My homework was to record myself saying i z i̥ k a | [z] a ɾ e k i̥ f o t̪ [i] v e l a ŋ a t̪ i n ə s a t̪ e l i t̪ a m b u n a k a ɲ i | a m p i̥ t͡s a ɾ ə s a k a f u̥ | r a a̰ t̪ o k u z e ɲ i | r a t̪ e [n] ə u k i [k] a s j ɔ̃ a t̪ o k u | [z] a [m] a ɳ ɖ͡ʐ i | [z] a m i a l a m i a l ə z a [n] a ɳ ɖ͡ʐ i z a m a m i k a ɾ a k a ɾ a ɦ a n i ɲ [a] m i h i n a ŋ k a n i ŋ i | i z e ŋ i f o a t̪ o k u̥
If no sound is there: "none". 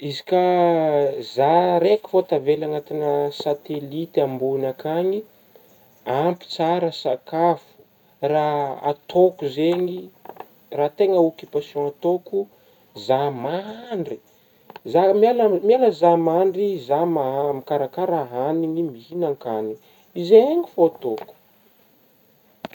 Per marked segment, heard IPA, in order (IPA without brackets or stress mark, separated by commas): z, a, ŋ, p, z, m, z, m, i